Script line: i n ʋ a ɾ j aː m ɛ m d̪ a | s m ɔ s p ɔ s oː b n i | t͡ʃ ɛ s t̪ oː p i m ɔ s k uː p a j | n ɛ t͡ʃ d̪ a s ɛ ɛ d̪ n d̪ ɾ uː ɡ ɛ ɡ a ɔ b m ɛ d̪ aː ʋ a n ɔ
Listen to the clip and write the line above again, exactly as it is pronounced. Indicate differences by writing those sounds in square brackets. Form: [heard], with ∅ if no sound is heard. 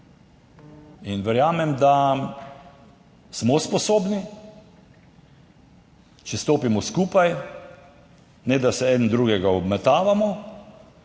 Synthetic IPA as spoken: i n ʋ [ɛ] ɾ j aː m ɛ m d̪ a | s m ɔ s p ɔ s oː b n i | t͡ʃ ɛ s t̪ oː p i m ɔ s k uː p a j | n ɛ [∅] d̪ a s ɛ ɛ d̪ n d̪ ɾ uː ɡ ɛ ɡ a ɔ b m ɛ [t̪] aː ʋ a [m] ɔ